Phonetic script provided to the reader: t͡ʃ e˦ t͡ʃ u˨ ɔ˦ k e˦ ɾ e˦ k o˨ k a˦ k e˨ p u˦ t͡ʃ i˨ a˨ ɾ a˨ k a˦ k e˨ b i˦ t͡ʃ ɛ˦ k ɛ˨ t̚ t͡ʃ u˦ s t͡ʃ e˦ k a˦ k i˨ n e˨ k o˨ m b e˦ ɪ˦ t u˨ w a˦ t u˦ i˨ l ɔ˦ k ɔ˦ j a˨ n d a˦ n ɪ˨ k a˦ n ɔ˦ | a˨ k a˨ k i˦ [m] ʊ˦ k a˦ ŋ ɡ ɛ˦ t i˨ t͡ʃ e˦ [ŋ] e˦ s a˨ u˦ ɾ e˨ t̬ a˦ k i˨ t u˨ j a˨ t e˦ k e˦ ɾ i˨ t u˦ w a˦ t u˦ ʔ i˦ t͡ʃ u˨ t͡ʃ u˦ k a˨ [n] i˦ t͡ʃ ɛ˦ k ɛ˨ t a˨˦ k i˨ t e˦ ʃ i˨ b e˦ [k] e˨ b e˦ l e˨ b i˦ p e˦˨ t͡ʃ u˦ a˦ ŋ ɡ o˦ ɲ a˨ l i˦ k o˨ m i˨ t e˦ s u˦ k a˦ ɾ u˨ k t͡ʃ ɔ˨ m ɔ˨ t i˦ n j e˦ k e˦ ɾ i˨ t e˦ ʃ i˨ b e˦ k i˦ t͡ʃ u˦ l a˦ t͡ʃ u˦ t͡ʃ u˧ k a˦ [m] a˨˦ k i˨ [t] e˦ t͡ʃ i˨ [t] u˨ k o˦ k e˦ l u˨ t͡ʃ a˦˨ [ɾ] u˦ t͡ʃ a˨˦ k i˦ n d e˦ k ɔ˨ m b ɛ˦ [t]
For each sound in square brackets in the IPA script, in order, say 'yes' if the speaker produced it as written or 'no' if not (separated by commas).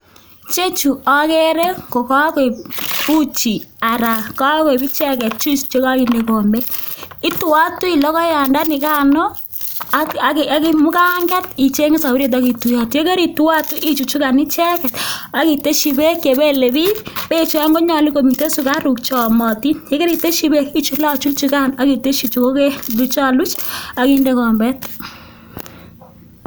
yes, yes, yes, yes, no, yes, no, no, yes